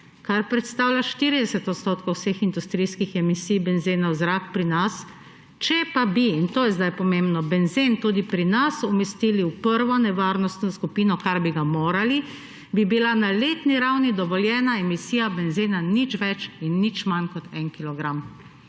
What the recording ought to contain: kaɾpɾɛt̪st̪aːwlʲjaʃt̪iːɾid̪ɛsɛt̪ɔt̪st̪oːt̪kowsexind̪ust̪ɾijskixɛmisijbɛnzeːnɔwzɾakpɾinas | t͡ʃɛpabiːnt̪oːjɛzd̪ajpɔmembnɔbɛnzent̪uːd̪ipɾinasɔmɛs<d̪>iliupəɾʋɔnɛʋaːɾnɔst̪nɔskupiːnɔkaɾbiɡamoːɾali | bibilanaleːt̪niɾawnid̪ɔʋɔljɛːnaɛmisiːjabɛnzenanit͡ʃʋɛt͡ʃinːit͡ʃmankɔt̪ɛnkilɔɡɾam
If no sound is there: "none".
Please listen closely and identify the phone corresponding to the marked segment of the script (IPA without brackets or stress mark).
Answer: t̪